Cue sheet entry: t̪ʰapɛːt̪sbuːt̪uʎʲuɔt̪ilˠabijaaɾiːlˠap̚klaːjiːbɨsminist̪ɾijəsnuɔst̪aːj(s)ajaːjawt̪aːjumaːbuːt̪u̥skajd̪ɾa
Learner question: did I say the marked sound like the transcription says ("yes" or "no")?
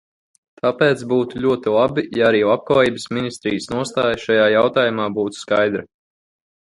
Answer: no